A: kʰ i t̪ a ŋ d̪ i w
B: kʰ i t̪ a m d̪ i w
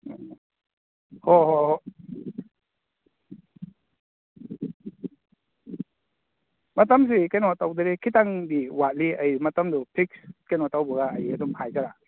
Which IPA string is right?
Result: A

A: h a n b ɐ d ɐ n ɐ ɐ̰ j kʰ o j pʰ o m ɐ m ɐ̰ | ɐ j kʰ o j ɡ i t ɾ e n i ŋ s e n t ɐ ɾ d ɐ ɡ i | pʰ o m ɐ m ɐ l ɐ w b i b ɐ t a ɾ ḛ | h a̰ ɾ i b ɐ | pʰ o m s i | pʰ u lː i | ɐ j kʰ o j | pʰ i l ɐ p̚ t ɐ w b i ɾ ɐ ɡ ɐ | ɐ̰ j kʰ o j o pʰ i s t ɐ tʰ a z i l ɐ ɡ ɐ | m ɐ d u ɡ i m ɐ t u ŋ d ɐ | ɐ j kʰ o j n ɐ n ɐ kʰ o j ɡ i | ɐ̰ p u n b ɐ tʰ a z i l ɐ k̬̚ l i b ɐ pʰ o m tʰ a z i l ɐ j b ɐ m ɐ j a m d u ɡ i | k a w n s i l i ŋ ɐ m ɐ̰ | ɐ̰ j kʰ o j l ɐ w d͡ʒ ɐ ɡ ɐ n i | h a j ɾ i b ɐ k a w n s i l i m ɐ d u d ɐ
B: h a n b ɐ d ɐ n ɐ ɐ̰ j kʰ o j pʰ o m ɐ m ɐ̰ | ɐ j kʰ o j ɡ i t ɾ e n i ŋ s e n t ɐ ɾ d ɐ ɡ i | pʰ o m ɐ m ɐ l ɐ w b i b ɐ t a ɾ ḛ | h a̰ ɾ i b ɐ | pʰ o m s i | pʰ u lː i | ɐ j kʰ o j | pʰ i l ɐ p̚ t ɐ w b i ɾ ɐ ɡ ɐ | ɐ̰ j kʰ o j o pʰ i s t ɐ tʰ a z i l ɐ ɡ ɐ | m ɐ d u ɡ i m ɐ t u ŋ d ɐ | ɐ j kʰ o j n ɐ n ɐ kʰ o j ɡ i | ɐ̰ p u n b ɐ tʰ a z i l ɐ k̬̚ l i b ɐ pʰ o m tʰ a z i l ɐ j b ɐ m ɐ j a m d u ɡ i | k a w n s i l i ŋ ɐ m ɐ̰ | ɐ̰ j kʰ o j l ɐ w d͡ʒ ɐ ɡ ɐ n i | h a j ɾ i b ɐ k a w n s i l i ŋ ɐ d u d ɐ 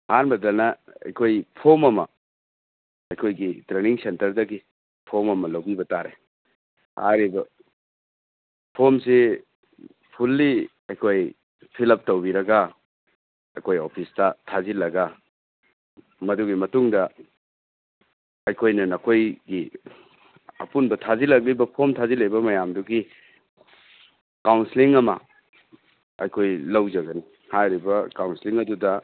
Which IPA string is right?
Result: B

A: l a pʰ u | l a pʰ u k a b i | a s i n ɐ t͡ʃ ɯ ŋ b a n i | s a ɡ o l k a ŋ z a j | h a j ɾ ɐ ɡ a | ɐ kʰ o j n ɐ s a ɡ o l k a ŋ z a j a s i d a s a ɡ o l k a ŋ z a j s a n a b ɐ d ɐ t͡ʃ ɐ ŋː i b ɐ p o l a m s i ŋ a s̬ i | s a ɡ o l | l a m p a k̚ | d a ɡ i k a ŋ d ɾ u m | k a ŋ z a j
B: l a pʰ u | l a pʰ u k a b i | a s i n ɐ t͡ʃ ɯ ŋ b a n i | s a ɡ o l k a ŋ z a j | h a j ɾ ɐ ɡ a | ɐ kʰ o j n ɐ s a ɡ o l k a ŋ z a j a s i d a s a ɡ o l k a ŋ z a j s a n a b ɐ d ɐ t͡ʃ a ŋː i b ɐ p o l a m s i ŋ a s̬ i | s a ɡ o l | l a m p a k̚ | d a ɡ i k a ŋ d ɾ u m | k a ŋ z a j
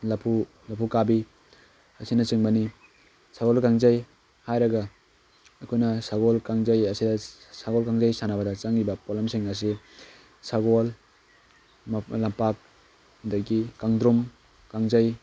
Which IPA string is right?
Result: B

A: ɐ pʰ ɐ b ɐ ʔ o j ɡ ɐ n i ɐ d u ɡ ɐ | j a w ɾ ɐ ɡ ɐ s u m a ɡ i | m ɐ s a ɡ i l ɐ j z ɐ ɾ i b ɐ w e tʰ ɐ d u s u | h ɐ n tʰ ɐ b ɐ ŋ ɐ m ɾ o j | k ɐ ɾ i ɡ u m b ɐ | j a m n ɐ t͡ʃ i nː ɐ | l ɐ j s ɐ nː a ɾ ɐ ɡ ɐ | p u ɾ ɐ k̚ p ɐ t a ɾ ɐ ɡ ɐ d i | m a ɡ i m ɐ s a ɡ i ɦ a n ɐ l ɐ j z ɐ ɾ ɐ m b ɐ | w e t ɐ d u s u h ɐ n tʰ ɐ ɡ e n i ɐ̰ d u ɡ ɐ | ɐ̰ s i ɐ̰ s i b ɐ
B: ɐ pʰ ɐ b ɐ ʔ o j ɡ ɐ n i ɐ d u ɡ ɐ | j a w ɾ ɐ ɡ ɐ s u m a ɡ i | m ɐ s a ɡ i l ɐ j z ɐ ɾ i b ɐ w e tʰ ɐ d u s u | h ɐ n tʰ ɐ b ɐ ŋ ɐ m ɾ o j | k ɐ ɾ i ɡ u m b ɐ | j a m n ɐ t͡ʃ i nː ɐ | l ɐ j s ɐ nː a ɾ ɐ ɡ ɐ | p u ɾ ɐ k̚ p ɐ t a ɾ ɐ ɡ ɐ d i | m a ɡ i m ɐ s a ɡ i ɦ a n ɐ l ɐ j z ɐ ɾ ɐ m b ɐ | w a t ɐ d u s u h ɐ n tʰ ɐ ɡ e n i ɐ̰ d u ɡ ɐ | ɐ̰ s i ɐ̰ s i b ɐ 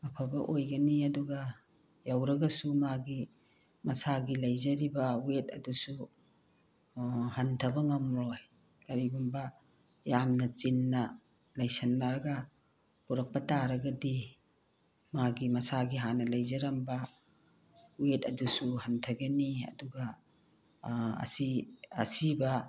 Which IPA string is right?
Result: A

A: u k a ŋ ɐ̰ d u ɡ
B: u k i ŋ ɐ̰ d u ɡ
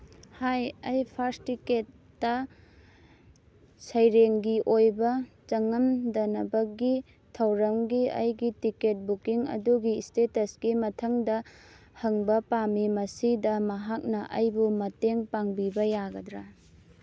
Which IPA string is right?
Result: B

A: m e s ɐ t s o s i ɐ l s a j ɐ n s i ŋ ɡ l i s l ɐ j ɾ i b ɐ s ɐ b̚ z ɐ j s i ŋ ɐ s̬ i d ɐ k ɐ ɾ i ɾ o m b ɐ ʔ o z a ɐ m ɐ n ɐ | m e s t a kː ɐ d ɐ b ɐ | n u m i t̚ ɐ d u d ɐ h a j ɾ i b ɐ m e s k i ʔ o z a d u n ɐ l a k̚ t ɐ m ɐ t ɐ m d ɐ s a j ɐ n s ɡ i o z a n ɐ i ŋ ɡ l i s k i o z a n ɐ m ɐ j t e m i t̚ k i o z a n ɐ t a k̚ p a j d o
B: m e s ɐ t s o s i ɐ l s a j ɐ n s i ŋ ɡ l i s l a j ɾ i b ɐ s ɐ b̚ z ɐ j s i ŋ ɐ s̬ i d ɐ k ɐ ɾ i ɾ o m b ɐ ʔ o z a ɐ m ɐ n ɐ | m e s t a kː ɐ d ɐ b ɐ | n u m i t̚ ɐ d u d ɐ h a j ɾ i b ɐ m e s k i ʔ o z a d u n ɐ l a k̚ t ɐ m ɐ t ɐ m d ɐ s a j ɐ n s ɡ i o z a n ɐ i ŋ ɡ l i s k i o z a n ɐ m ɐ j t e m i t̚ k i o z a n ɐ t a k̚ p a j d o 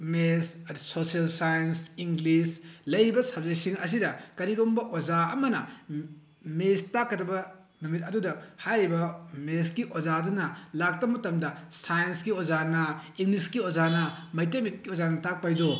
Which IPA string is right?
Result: A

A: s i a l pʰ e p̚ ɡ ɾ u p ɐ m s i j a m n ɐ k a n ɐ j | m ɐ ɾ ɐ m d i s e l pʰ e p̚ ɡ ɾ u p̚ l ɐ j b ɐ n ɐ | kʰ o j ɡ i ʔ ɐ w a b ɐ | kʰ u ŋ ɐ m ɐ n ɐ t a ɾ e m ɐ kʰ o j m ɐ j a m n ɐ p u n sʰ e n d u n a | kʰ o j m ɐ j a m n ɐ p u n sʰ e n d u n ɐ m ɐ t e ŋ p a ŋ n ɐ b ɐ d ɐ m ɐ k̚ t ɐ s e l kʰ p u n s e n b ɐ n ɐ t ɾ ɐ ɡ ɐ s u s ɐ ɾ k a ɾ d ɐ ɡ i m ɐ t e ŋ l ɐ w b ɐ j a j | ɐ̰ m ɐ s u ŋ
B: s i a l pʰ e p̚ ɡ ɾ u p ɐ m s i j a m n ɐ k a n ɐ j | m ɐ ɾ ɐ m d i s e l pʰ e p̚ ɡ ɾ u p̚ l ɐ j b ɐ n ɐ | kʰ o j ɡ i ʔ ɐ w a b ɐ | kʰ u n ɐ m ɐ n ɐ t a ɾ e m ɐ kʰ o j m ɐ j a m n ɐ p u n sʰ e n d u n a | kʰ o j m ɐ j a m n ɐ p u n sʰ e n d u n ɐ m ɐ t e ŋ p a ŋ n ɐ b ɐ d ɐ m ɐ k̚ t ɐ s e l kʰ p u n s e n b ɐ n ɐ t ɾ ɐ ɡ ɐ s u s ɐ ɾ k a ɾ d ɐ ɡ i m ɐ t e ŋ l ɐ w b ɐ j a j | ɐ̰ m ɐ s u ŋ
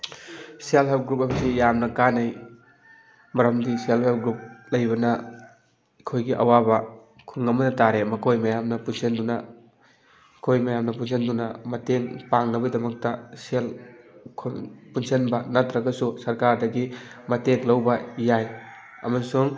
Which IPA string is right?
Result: A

